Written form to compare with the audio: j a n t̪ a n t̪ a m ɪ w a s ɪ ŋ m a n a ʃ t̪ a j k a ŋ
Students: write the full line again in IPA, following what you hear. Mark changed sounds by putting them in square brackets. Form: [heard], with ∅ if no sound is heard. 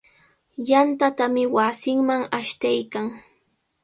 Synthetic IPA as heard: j a n t̪ a [∅] t̪ a m ɪ w a s ɪ ŋ m a [ŋ] a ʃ t̪ a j k a ŋ